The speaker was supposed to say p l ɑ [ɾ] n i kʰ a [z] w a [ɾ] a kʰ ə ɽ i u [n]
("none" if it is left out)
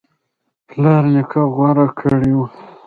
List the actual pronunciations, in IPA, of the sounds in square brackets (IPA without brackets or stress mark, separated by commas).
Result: ɾ, ɣ, ɾ, none